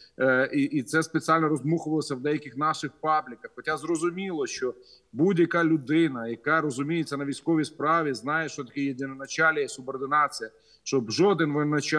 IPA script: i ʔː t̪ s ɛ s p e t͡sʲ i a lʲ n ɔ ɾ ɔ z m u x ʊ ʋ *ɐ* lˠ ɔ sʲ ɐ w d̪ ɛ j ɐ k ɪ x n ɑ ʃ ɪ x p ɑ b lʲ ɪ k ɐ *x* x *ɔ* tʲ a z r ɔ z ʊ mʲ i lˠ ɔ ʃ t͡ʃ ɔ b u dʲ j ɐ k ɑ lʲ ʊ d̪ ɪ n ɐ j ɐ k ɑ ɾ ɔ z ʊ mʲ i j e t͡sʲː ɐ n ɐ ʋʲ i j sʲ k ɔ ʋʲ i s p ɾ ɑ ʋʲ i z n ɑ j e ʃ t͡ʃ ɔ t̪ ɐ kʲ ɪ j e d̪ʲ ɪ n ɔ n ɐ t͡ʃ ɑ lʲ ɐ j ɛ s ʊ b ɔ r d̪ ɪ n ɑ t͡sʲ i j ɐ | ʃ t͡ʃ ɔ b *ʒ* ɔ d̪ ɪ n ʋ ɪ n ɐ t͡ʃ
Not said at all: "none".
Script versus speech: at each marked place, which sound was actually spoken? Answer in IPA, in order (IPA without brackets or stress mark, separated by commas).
ɐ, x, ɔ, ʒ